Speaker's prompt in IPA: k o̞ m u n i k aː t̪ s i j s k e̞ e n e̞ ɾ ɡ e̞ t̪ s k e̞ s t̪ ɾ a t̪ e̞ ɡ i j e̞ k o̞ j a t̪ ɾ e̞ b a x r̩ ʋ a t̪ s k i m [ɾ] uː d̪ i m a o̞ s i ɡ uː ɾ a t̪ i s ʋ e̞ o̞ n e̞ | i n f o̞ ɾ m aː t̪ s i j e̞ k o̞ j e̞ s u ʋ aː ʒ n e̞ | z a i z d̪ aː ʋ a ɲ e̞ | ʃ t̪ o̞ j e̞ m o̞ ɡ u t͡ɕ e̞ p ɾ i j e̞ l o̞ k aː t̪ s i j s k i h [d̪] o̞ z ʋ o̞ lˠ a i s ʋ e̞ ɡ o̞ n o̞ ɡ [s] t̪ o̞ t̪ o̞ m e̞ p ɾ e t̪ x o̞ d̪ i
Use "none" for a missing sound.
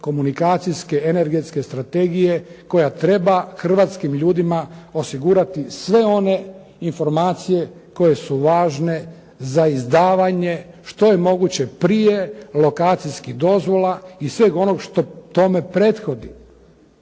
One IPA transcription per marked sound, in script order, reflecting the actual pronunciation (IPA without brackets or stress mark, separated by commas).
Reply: ʎ, d̪, ʃ